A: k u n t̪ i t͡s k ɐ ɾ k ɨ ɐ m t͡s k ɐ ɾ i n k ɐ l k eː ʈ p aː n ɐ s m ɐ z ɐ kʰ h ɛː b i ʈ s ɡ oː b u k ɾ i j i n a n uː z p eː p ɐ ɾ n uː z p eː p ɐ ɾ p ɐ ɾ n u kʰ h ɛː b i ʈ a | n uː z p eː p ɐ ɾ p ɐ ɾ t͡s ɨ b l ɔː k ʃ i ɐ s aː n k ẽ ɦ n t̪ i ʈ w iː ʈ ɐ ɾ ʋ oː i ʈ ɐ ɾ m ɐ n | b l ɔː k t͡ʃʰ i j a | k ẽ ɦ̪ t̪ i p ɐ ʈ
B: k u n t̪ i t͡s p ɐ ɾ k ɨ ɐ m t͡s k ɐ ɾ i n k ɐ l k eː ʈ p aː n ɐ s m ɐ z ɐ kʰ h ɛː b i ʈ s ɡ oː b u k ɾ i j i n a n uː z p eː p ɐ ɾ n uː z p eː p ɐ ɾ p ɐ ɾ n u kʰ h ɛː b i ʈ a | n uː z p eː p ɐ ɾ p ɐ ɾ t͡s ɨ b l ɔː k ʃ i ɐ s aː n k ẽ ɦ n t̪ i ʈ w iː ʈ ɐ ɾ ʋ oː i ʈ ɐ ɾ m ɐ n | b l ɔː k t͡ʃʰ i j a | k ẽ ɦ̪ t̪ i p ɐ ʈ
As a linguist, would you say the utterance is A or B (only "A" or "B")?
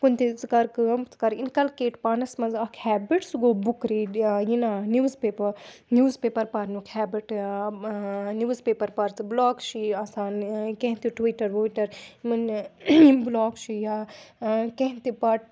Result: A